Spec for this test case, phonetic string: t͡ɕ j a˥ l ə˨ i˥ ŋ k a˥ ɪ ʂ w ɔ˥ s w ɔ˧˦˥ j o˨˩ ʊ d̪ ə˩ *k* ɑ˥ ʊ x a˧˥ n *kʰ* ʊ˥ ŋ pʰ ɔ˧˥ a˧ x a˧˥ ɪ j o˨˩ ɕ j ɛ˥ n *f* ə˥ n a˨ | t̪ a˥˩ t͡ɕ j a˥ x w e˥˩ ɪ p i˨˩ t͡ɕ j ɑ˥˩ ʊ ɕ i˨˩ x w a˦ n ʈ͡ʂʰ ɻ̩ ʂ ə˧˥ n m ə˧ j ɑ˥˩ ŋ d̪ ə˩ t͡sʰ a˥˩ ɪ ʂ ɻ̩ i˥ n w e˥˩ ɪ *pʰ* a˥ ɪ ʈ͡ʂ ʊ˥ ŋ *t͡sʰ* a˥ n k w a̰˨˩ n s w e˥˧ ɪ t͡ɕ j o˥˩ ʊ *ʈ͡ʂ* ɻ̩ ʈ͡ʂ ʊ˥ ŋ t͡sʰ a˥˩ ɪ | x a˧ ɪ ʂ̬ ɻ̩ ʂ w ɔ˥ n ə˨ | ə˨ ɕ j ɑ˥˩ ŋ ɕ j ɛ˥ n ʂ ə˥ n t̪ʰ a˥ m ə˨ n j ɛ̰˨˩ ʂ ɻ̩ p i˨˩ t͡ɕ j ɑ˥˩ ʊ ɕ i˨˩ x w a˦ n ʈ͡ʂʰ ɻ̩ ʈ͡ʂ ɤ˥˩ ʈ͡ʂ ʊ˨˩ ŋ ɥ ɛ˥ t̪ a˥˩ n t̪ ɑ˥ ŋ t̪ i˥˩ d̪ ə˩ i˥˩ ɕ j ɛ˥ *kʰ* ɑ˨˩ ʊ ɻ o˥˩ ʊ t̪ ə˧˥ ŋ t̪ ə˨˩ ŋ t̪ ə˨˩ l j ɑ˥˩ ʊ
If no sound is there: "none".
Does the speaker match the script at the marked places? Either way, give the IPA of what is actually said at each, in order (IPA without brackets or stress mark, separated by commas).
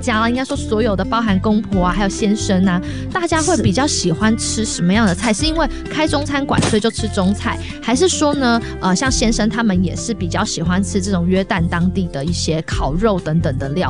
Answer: p, k, ʂ, kʰ, t͡sʰ, ʈ͡ʂʰ, kʰ